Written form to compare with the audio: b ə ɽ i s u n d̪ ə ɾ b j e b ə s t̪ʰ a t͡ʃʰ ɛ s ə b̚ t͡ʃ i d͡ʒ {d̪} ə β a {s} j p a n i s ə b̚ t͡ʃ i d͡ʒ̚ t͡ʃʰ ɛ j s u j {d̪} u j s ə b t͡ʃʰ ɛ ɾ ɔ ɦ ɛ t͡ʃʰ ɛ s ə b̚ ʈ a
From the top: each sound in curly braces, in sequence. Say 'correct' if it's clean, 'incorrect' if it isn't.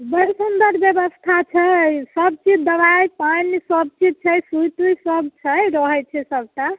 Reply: correct, incorrect: none, incorrect: t̪

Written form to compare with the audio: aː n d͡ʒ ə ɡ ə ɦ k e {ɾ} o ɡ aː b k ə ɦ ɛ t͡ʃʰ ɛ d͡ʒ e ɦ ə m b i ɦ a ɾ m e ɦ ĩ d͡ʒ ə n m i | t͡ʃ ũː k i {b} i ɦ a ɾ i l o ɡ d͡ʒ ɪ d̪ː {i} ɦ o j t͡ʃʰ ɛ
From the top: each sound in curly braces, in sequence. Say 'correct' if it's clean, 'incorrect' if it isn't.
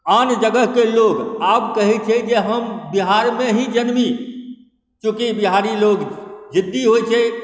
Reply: incorrect: l, correct, correct

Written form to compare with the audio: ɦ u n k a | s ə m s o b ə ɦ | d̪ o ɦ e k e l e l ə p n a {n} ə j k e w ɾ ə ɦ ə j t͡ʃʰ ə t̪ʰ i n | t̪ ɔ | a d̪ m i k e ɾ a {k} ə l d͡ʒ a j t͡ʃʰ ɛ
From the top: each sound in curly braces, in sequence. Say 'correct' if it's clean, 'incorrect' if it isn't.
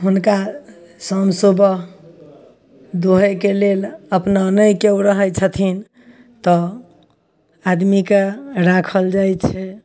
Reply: correct, incorrect: kʰ

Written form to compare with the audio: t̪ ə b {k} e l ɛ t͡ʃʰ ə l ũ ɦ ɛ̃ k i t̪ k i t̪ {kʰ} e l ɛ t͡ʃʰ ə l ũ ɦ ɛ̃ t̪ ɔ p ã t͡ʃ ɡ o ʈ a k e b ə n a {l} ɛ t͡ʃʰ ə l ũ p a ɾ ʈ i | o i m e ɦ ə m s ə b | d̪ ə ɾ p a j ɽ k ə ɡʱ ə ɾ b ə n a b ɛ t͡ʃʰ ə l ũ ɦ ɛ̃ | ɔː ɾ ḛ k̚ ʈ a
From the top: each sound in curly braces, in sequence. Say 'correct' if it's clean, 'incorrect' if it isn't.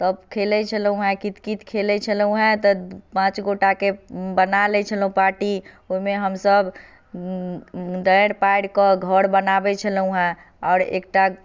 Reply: incorrect: kʰ, correct, correct

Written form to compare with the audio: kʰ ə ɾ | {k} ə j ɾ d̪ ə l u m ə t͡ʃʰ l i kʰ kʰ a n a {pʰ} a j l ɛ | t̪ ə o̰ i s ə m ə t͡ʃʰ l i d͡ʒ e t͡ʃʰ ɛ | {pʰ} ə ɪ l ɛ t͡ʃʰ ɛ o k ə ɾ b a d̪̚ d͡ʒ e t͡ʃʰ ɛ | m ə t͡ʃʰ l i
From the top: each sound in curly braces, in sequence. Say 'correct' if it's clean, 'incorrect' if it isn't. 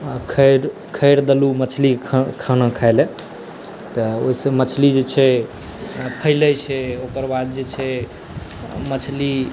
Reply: incorrect: kʰ, incorrect: kʰ, correct

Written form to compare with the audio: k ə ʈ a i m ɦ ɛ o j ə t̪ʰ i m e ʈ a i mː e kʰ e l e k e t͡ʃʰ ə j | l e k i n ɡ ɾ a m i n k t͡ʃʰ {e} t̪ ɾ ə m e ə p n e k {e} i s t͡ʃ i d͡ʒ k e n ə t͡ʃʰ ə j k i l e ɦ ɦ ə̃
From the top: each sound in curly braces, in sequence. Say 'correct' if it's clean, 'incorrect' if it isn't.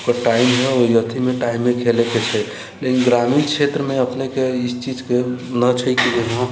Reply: correct, correct

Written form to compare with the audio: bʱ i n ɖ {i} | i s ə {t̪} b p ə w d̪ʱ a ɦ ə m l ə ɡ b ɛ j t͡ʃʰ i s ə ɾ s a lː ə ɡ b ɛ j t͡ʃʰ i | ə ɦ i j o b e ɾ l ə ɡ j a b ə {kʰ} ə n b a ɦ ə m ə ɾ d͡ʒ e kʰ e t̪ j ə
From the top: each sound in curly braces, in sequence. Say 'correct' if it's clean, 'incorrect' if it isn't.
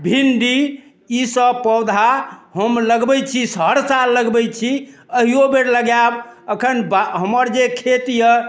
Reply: correct, incorrect: none, correct

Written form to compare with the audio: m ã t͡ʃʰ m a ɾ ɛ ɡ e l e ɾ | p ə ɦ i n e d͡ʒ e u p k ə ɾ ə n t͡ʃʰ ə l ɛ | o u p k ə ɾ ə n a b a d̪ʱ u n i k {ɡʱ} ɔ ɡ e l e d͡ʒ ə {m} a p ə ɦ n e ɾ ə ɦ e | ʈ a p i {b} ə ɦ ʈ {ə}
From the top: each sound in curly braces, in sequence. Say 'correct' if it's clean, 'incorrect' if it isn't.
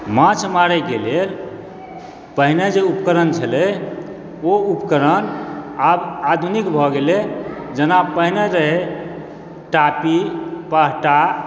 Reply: incorrect: bʱ, incorrect: n, incorrect: p, incorrect: a

